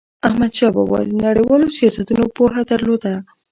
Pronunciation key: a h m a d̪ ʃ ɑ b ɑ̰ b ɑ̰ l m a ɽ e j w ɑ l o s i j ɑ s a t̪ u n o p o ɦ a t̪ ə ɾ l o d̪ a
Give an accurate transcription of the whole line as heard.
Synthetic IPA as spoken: a h m a d̪ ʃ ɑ b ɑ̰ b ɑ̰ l n a ɽ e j w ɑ l o s i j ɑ s a t̪ u n o p o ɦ a d̪ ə ɾ l o d̪ a